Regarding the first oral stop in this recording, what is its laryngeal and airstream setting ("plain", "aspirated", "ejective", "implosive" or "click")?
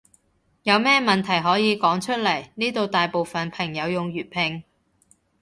aspirated